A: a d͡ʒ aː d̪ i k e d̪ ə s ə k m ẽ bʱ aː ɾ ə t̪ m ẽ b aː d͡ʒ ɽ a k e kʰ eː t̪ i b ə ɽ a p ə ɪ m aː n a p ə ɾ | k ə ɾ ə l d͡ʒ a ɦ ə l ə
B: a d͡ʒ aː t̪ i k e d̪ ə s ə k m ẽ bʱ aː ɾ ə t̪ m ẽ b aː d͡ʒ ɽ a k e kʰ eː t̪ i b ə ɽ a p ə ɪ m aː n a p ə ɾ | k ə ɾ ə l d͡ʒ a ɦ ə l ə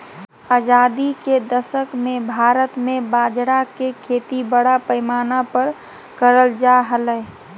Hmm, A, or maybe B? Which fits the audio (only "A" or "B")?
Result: A